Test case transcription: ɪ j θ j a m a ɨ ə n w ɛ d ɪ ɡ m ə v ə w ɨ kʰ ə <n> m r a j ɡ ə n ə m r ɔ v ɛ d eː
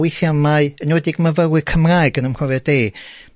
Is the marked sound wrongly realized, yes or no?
yes